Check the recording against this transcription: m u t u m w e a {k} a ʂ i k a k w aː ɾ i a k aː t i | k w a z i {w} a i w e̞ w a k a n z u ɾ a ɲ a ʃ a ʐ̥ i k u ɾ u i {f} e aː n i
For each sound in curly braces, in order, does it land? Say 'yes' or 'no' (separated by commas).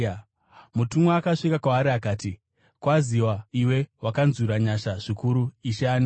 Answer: yes, yes, no